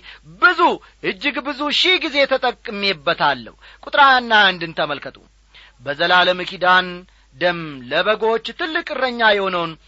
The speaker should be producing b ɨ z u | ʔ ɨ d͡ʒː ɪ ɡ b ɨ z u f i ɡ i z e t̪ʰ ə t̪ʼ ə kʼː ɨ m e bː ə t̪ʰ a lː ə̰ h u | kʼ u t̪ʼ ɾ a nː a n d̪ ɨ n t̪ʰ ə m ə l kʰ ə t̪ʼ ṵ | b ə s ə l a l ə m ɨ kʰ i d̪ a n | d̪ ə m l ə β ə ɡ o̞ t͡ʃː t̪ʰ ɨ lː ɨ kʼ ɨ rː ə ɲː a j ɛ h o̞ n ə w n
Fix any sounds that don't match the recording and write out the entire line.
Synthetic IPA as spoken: b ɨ z u | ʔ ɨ d͡ʒː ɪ ɡ b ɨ z u ʃ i ɡ i z e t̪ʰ ə t̪ʼ ə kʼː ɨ m e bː ə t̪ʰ a lː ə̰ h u | kʼ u t̪ʼ ɾ a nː a n d̪ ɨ n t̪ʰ ə m ə l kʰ ə t̪ʼ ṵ | b ə z ə l a l ə m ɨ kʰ i d̪ a n | d̪ ə m l ə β ə ɡ o̞ t͡ʃː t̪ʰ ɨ lː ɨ kʼ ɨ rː ə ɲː a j ɛ h o̞ n ə w n